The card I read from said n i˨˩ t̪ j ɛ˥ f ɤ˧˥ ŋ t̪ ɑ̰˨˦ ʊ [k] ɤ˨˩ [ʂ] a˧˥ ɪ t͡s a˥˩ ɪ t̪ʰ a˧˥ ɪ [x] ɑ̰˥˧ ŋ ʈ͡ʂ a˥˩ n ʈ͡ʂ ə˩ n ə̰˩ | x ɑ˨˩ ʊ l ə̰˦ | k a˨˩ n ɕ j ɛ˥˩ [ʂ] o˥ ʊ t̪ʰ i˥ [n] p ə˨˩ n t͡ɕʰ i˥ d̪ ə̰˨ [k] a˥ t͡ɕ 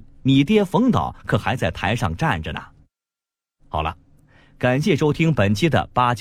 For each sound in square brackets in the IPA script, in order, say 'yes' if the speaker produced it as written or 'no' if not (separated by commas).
no, no, no, yes, no, no